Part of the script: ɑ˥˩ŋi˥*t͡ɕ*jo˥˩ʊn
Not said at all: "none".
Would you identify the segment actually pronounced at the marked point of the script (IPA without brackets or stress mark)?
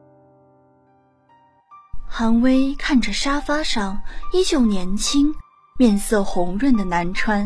t͡ɕ